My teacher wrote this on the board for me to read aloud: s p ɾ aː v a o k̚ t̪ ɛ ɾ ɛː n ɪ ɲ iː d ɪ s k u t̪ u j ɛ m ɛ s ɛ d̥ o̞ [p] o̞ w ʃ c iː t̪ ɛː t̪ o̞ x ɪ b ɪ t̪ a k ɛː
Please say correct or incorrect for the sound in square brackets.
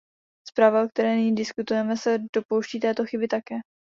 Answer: correct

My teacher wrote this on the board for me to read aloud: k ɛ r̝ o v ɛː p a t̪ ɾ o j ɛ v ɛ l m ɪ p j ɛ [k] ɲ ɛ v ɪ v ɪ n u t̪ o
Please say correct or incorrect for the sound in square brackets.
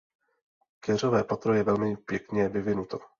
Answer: correct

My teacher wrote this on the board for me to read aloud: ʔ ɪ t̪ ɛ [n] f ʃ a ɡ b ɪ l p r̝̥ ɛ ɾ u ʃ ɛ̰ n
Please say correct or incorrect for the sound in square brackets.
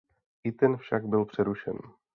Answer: correct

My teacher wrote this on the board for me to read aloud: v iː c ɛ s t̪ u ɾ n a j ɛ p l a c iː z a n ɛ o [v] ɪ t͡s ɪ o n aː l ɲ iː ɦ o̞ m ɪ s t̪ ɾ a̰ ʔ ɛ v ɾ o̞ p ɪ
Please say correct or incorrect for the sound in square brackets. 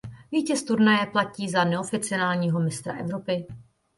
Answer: incorrect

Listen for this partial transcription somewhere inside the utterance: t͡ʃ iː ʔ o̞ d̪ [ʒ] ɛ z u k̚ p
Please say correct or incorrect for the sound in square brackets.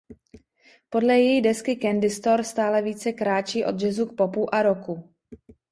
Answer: correct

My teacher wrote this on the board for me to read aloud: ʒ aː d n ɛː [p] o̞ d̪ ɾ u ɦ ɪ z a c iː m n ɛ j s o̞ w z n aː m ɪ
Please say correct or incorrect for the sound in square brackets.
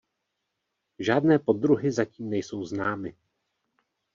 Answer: correct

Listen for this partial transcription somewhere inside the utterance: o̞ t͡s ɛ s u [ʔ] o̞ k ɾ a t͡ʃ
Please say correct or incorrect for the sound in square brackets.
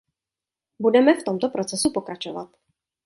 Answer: incorrect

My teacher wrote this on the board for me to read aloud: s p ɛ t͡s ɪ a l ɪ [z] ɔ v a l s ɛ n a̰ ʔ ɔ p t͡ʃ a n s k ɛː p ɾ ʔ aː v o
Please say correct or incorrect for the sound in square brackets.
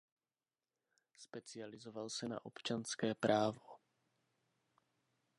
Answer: correct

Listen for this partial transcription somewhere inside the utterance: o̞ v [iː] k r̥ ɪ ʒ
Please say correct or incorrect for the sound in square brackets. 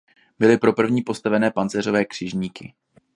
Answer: incorrect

